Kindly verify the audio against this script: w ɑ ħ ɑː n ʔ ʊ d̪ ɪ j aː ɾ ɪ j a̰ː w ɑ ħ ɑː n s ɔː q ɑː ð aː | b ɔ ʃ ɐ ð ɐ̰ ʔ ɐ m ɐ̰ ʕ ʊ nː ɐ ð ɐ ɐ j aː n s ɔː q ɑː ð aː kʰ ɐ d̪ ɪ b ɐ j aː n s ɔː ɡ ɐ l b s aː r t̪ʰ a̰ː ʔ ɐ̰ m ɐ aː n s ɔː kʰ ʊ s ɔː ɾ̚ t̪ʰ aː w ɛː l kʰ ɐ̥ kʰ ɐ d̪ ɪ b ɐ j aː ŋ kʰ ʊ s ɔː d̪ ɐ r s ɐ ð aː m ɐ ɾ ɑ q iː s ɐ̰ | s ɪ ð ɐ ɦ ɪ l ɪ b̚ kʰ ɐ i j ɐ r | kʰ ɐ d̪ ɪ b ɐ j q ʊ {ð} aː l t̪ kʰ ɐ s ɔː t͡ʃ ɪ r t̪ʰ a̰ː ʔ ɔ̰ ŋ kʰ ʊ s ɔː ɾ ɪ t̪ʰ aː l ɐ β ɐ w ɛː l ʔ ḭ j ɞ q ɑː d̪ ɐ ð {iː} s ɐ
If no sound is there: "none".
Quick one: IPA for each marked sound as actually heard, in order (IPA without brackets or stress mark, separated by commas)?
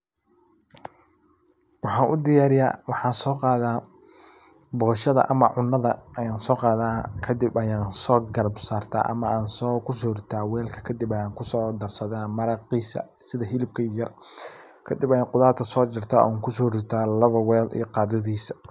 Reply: ð, iː